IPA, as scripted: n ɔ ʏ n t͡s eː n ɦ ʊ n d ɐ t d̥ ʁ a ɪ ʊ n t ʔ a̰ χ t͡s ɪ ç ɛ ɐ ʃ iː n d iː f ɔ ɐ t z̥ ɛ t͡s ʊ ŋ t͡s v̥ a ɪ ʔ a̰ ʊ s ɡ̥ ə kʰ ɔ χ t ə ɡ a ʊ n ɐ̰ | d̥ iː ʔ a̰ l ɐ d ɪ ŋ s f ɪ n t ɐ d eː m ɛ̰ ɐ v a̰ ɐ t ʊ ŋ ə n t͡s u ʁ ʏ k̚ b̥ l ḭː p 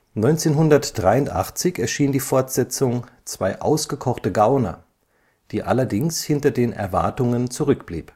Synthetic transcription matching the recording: n ɔ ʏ n t͡s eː n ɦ ʊ n d ɐ t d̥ ʁ a ɪ ʊ n t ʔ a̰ χ t͡s ɪ ç ɛ ɐ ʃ iː n d iː f ɔ ɐ t z̥ ɛ t͡s ʊ ŋ t͡s v̥ a ɪ ʔ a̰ ʊ s ɡ̥ ə kʰ ɔ χ t ə ɡ a ʊ n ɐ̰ | d̥ iː ʔ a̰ l ɐ d ɪ ŋ s h ɪ n t ɐ d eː n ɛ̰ ɐ v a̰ ɐ t ʊ ŋ ə n t͡s u ʁ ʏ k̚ b̥ l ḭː p

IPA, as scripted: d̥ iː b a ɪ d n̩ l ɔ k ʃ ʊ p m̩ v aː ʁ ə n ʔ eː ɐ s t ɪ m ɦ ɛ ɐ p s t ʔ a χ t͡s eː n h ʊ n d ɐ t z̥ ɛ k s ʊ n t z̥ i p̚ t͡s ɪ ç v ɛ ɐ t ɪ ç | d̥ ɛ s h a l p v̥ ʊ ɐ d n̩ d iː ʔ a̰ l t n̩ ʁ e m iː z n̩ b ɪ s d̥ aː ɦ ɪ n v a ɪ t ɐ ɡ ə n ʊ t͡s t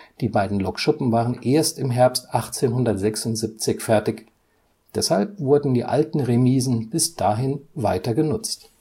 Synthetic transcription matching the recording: d̥ iː b a ɪ d n̩ l ɔ k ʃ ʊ p m̩ v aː ʁ ə n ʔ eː ɐ s t ɪ m ɦ ɛ ɐ p s t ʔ a χ t͡s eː n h ʊ n d ɐ t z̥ ɛ k s ʊ n t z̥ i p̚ t͡s ɪ ç f ɛ ɐ t ɪ ç | d̥ ɛ s h a l p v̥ ʊ ɐ d n̩ d iː ʔ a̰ l t n̩ ʁ e m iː z n̩ b ɪ s d̥ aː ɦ ɪ n v a ɪ t ɐ ɡ ə n ʊ t͡s t

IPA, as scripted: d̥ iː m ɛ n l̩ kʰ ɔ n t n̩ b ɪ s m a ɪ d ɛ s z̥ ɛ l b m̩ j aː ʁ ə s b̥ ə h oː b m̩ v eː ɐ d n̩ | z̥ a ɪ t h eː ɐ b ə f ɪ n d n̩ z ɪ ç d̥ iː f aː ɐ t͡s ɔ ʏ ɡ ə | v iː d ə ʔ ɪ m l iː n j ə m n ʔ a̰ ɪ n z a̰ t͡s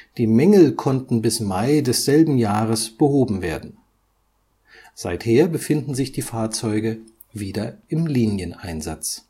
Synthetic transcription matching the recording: d̥ iː m ɛ ŋ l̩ kʰ ɔ n t n̩ b ɪ s m a ɪ d ɛ s z̥ ɛ l b m̩ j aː ʁ ə s b̥ ə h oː b m̩ v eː ɐ d n̩ | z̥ a ɪ t h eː ɐ b ə f ɪ n d n̩ z ɪ ç d̥ iː f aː ɐ t͡s ɔ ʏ ɡ ə | v iː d ɐ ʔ ɪ m l iː n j ə n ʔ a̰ ɪ n z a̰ t͡s

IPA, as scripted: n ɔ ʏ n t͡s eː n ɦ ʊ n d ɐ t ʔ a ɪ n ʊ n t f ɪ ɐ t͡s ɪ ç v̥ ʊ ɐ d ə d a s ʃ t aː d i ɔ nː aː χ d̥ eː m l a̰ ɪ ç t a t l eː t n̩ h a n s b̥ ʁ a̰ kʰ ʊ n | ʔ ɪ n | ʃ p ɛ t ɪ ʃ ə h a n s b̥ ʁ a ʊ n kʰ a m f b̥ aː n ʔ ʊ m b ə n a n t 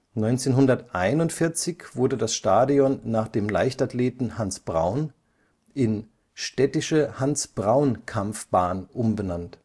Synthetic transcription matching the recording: n ɔ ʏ n t͡s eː n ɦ ʊ n d ɐ t ʔ a ɪ n ʊ n t f ɪ ɐ t͡s ɪ ç v̥ ʊ ɐ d ə d a s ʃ t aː d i ɔ nː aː χ d̥ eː m l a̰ ɪ ç t a t l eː t n̩ h a n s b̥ ʁ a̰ ʊ n | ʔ ɪ n | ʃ t ɛ t ɪ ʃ ə h a n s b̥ ʁ a ʊ n kʰ a m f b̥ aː n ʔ ʊ m b ə n a n t

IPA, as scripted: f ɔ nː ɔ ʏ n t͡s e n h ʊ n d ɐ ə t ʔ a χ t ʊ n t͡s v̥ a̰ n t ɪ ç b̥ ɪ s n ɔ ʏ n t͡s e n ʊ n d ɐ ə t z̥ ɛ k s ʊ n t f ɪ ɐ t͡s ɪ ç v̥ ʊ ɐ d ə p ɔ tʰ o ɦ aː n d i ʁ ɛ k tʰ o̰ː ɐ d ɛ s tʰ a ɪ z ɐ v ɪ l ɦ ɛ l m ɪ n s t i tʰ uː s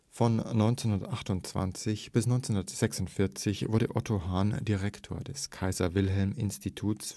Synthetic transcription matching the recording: f ɔ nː ɔ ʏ n t͡s e n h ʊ n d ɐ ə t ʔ a χ t ʊ n t͡s v̥ a̰ n t͡s ɪ ç b̥ ɪ s n ɔ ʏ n t͡s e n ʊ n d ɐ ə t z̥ ɛ k s ʊ n t f ɪ ɐ t͡s ɪ ç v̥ ʊ ɐ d ə ʔ ɔ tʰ o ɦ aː n d i ʁ ɛ k tʰ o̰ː ɐ d ɛ s kʰ a ɪ z ɐ v ɪ l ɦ ɛ l m ɪ n s t i tʰ uː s

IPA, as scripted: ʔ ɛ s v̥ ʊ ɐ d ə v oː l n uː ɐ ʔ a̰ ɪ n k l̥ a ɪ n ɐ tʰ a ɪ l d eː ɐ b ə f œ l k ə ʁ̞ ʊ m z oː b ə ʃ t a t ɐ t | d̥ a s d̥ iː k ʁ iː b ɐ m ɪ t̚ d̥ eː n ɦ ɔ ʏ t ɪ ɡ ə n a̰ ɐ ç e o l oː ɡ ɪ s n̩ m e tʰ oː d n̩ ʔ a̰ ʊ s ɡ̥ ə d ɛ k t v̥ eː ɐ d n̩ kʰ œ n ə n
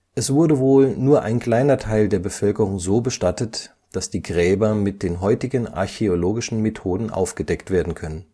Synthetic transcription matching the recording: ʔ ɛ s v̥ ʊ ɐ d ə v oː l n uː ɐ ʔ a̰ ɪ n k l̥ a ɪ n ɐ tʰ a ɪ l d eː ɐ b ə f œ l k ə ʁ̞ ʊ ŋ z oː b ə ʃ t a t ə t | d̥ a s d̥ iː ɡ ʁ ɛː b ɐ m ɪ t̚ d̥ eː n ɦ ɔ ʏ t ɪ ɡ ə n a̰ ɐ ç e o l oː ɡ ɪ ʃ n̩ m e tʰ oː d n̩ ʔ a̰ ʊ f ɡ̥ ə d ɛ k t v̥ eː ɐ d n̩ kʰ œ n ə n

